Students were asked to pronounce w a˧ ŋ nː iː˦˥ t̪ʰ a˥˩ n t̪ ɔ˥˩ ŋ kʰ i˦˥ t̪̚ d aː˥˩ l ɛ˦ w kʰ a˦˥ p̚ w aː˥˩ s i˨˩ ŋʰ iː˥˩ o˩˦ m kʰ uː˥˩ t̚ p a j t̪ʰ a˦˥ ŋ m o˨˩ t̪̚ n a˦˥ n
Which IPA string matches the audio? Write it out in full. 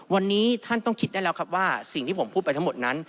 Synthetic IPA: w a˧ nː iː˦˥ t̪ʰ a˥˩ n t̪ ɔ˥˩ ŋ kʰ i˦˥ t̪̚ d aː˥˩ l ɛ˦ w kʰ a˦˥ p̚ w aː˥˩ s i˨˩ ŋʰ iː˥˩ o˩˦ m pʰ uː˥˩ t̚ p a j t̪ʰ a˦˥ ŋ m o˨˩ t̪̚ n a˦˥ n